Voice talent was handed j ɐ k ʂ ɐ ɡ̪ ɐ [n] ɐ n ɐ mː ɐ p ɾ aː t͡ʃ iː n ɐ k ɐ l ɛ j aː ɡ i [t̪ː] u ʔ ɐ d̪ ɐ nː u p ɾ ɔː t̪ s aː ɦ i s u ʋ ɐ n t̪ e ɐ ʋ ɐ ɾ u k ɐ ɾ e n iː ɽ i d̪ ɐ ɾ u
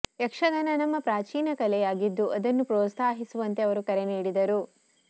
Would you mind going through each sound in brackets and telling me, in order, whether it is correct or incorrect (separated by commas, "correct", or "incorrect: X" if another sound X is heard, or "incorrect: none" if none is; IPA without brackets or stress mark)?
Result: correct, incorrect: d̪ː